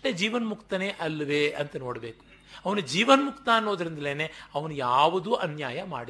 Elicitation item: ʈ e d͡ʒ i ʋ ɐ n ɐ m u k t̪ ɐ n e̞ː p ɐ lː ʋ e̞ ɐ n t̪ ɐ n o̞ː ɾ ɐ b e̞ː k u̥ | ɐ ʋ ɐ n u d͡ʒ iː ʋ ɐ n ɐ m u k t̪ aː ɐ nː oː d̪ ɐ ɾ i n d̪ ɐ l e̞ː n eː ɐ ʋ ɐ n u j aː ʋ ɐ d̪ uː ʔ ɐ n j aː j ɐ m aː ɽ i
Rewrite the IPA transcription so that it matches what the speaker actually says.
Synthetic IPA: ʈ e d͡ʒ iː ʋ ɐ n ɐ m u k t̪ ɐ n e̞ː ʔ ɐ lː ʋ e̞ ɐ n t̪ ɐ n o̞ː ɽ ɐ b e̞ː k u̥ | ɐ ʋ ɐ n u d͡ʒ iː ʋ ɐ n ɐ m u k t̪ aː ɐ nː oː d̪ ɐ ɾ i n d̪ ɐ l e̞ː n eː ɐ ʋ ɐ n u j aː ʋ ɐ d̪ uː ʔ ɐ n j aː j ɐ m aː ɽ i